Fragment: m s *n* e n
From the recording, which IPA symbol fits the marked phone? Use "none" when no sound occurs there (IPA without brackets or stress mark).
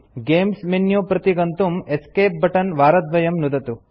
m